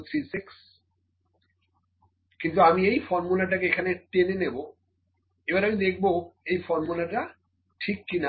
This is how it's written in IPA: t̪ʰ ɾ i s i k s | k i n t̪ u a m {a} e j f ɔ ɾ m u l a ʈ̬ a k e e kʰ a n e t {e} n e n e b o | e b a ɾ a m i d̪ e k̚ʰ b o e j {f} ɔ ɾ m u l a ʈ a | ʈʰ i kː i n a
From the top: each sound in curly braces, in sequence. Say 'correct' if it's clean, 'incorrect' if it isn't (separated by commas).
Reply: incorrect, correct, correct